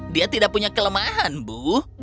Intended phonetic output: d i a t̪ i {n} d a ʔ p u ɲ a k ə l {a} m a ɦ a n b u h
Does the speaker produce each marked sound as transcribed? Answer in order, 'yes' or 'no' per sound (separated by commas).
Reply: no, no